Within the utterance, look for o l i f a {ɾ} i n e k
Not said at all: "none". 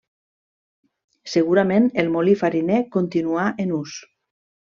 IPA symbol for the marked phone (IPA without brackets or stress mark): ɾ